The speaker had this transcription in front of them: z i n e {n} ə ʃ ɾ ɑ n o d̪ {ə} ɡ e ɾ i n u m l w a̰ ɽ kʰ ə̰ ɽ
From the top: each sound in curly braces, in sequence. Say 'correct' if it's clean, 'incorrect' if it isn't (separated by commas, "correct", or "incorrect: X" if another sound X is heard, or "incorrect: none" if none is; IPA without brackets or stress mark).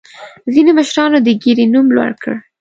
incorrect: m, correct